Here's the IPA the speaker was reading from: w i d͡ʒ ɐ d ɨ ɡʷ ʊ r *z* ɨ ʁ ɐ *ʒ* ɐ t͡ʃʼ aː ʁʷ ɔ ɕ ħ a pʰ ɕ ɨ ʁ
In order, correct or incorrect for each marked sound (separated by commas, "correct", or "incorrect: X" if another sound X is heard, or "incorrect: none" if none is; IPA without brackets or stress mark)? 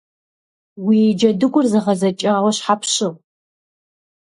correct, incorrect: z